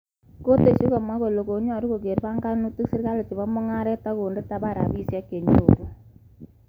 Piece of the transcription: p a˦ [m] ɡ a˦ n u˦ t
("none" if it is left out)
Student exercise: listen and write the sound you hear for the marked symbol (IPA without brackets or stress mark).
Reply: ŋ